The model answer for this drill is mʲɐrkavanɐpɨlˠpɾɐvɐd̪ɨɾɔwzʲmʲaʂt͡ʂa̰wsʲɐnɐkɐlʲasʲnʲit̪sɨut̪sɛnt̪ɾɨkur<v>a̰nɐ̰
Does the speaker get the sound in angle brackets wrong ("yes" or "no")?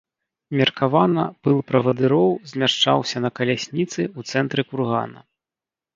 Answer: yes